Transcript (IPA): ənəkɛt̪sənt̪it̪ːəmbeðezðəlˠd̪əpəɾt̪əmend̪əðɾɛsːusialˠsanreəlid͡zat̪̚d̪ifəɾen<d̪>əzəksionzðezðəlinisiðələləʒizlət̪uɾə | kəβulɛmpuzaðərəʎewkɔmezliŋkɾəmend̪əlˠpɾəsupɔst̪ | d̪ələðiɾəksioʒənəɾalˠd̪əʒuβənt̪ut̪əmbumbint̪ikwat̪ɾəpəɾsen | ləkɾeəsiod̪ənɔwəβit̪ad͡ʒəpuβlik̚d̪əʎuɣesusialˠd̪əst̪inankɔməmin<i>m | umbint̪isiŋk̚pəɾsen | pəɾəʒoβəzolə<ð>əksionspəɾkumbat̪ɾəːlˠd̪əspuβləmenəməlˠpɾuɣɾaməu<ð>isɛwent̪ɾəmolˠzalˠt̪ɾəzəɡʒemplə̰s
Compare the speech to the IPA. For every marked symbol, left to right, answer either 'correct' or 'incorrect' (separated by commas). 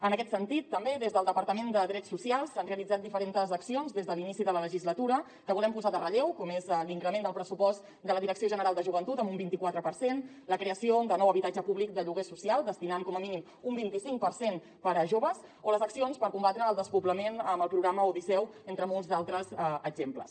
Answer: incorrect, correct, incorrect, correct